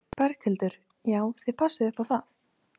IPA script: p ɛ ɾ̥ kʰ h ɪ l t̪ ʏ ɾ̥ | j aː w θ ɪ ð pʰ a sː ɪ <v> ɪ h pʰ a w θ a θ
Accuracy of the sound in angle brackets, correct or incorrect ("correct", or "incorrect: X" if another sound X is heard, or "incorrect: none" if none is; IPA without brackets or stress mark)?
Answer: incorrect: ð